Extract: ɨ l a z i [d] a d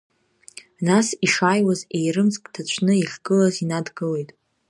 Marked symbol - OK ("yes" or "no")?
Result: no